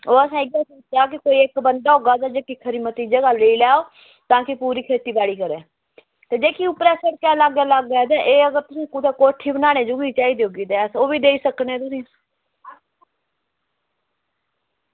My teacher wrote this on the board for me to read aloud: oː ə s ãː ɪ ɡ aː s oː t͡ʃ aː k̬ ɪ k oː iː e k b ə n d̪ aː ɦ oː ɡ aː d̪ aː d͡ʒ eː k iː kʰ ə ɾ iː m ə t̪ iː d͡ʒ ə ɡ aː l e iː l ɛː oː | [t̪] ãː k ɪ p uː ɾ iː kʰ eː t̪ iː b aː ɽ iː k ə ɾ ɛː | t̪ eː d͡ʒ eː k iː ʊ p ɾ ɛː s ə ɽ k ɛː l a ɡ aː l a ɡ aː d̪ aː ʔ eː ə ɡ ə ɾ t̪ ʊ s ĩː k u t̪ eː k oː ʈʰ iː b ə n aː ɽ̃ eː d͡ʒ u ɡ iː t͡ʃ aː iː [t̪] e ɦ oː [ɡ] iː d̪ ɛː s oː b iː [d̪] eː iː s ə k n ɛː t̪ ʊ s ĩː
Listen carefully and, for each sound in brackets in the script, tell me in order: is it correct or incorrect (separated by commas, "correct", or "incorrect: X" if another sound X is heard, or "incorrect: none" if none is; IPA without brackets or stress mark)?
correct, incorrect: d̪, correct, correct